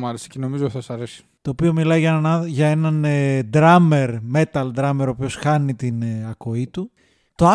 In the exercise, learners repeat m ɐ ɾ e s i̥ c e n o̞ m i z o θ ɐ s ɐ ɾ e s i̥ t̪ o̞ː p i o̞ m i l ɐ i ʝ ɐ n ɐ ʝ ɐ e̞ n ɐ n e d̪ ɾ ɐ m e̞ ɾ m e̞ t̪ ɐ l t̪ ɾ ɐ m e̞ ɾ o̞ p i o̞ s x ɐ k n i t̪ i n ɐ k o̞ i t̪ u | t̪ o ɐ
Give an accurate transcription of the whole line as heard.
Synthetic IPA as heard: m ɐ ɾ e s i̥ c e n o̞ m i z o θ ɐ s ɐ ɾ e s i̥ t̪ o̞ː p i o̞ m i l ɐ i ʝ ɐ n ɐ ʝ ɐ e̞ n ɐ n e d̪ ɾ ɐ m e̞ ɾ m e̞ t̪ ɐ l d̪ ɾ ɐ m e̞ ɾ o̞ p i o̞ s x ɐ n i t̪ i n ɐ k o̞ i t̪ u | t̪ o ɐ